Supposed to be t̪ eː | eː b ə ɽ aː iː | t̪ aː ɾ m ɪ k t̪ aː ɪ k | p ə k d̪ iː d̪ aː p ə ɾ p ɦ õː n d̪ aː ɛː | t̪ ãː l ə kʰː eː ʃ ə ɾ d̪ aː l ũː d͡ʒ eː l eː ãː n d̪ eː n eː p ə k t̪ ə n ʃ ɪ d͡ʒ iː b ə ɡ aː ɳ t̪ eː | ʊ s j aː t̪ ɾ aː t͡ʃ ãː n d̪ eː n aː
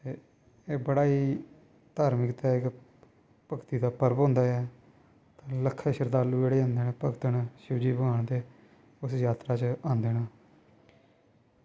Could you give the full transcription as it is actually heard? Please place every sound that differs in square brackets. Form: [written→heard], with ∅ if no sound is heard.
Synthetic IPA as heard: t̪ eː | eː b ə ɽ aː iː | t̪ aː ɾ m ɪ k t̪ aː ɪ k | p ə k [d̪→t̪] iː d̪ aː p ə ɾ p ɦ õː n d̪ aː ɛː | t̪ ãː l ə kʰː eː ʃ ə ɾ d̪ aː l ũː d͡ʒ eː [l→ɽ] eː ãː n d̪ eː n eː p ə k t̪ ə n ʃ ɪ d͡ʒ iː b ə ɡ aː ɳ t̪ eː | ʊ s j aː t̪ ɾ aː t͡ʃ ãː n d̪ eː n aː